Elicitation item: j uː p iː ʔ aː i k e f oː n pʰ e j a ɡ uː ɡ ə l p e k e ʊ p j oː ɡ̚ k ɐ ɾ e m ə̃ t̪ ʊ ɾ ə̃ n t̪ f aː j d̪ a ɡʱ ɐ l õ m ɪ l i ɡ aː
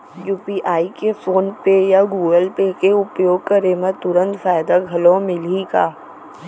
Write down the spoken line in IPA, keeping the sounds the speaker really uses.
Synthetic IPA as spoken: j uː p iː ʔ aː i k e f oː n p e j a ɡ uː ɡ ə l p e k e ʊ p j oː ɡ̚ k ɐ ɾ e m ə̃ t̪ ʊ ɾ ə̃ n t̪ f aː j d̪ a ɡʱ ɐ l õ m ɪ l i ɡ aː